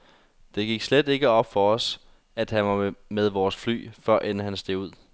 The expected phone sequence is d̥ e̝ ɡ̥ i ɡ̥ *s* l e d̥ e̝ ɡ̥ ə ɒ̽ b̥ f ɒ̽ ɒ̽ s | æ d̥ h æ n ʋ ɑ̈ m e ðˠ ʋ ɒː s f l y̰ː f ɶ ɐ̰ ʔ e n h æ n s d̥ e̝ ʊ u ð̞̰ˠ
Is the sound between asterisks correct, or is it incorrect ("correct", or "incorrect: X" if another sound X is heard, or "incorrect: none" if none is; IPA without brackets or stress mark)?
correct